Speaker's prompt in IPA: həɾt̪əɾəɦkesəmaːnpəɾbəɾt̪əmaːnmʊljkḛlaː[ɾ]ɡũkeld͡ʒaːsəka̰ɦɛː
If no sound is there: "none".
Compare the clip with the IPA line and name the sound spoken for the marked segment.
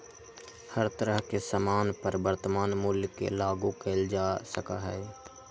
none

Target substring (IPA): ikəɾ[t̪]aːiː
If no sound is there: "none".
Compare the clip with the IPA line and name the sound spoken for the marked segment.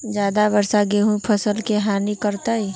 t̪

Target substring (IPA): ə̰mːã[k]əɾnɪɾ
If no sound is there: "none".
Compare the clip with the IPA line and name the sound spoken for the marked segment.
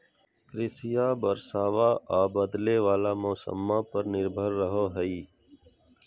p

